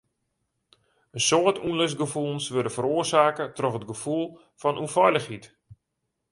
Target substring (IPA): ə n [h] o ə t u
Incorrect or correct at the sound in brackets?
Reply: incorrect: s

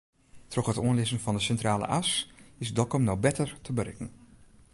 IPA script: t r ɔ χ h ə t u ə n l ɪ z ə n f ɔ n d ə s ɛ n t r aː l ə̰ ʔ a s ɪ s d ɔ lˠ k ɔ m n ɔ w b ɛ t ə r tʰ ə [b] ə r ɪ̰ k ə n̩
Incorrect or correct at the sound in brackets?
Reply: correct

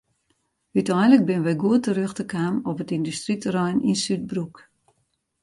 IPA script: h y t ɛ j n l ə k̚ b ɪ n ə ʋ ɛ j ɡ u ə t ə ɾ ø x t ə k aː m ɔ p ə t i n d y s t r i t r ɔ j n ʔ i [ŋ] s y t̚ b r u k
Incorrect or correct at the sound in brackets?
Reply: incorrect: n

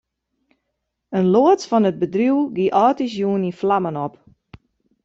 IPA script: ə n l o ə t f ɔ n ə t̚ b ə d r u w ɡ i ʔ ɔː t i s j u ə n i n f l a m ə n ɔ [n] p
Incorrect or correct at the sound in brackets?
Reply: incorrect: none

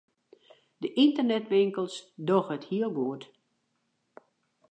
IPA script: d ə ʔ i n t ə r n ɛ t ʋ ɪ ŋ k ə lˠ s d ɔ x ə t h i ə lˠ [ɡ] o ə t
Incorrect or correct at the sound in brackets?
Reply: correct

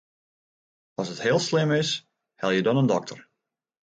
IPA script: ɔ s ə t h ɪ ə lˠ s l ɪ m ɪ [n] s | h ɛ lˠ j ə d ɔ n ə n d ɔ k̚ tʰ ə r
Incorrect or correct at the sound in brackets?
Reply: incorrect: none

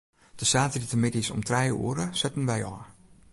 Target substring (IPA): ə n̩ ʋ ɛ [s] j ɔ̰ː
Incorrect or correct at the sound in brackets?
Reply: incorrect: none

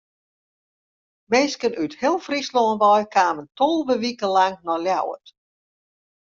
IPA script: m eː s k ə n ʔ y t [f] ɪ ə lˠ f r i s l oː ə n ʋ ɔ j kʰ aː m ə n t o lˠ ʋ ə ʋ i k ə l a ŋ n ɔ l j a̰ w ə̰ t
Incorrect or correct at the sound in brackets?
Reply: incorrect: h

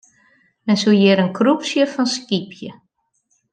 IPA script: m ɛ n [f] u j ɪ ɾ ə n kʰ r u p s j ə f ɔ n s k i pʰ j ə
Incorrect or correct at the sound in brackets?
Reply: incorrect: s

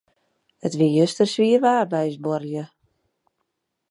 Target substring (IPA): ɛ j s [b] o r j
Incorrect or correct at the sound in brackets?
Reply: correct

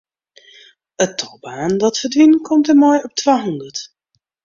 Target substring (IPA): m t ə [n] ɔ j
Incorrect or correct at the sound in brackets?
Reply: incorrect: m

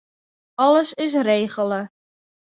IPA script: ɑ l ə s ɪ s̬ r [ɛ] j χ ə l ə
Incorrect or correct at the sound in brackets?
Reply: incorrect: e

